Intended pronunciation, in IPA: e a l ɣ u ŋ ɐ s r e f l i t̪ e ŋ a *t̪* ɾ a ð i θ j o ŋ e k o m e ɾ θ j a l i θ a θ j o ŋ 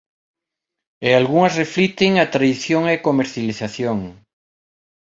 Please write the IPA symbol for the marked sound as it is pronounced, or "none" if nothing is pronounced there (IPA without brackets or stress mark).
t̪